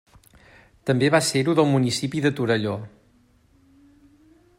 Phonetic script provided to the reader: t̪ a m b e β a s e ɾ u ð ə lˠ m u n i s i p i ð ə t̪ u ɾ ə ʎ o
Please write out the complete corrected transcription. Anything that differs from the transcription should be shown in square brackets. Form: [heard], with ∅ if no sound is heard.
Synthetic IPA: t̪ [ə] m b e β a s e ɾ u ð ə lˠ m u n i s i p i ð ə t̪ u ɾ ə ʎ o